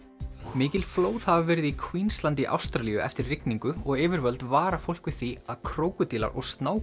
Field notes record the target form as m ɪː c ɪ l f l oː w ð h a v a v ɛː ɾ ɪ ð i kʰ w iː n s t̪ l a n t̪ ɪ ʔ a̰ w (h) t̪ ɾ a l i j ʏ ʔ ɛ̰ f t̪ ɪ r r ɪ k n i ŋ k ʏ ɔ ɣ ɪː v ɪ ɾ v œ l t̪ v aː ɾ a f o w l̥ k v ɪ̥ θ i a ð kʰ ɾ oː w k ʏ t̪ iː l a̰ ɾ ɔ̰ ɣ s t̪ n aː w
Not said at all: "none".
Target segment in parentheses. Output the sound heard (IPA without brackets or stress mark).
s